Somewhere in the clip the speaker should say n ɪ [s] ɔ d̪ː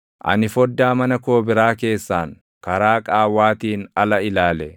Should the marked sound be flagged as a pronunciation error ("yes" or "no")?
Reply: yes